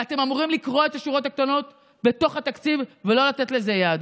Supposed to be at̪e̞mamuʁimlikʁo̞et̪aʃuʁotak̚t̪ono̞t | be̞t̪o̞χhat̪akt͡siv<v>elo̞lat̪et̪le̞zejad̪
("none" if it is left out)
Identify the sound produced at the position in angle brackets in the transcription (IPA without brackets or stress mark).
v